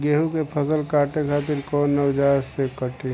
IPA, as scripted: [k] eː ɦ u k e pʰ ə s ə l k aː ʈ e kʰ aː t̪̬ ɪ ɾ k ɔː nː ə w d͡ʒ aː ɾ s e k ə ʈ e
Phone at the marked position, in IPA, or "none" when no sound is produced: ɡ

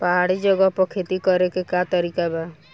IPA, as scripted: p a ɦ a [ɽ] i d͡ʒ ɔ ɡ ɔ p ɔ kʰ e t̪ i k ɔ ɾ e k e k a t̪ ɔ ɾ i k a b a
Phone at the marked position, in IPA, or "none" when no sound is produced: ɽ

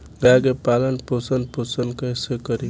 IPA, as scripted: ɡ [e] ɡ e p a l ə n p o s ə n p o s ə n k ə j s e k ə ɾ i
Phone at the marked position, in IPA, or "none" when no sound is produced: a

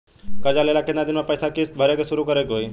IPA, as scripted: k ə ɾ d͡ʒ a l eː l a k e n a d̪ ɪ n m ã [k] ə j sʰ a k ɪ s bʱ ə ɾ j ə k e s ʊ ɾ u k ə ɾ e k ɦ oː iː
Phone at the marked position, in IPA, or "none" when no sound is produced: p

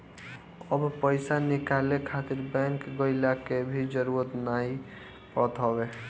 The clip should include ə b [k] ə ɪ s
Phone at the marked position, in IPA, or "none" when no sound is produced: p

